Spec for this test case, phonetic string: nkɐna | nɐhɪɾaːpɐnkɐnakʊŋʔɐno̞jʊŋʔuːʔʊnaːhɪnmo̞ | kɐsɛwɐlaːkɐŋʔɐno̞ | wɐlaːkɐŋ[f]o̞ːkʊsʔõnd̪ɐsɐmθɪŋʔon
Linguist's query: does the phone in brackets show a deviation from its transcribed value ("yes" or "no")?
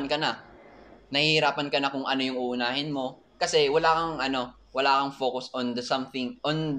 no